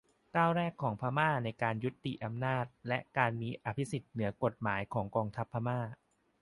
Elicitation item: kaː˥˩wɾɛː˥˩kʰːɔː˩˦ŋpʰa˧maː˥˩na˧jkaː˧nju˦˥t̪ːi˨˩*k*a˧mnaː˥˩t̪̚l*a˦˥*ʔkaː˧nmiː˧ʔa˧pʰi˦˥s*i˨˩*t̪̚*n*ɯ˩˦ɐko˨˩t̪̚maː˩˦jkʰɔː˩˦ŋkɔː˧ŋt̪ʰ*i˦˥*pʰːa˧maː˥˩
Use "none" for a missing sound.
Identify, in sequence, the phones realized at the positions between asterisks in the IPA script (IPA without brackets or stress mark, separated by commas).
ʔ, ɛ˦˥, i˨˩, n, a˦˥